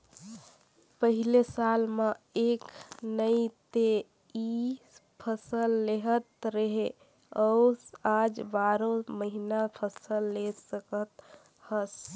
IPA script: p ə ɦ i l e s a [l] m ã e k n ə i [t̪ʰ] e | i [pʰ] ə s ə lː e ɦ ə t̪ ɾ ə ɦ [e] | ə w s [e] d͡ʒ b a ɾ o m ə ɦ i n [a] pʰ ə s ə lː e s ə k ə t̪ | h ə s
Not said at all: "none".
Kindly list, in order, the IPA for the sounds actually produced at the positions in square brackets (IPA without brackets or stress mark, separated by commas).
l, t̪, pʰ, e, a, a